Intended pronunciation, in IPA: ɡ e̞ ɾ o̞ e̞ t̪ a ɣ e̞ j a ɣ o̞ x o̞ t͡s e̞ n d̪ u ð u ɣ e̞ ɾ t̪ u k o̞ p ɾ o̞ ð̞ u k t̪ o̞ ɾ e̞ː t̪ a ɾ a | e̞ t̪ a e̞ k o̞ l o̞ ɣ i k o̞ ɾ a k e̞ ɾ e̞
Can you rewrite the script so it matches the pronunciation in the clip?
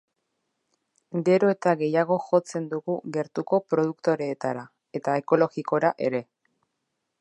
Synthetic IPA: ɡ e̞ ɾ o̞ e̞ t̪ a ɣ e̞ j a ɣ o̞ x o̞ t͡s e̞ n d̪ u ɣ u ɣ e̞ ɾ t̪ u k o̞ p ɾ o̞ ð̞ u k t̪ o̞ ɾ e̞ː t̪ a ɾ a | e̞ t̪ a e̞ k o̞ l o̞ ɣ i k o̞ ɾ a ʔ e̞ ɾ e̞